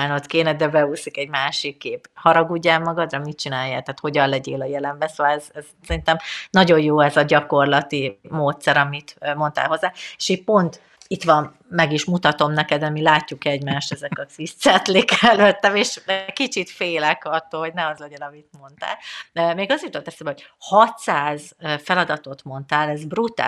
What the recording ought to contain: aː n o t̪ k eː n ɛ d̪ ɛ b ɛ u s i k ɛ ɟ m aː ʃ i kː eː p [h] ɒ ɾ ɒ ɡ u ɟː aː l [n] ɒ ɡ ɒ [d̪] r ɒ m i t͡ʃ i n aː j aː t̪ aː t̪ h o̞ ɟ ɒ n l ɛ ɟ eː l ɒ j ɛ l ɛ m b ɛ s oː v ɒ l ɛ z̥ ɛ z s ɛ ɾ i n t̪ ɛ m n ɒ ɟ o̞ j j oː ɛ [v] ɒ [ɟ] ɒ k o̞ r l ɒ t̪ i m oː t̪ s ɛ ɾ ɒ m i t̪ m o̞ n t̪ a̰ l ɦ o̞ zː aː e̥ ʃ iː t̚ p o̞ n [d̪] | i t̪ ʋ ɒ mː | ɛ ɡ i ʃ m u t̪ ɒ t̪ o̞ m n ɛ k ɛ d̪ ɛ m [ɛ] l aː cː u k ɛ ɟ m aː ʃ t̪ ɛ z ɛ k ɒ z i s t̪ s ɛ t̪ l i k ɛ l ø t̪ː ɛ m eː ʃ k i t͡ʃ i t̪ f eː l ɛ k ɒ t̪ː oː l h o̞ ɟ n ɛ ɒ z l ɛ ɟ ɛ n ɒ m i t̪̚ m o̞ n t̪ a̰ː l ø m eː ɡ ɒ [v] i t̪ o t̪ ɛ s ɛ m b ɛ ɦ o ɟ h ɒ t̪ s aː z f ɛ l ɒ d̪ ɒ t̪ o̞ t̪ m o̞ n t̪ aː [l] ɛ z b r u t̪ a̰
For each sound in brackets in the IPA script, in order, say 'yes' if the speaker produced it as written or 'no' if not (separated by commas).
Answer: yes, no, yes, no, yes, no, no, no, yes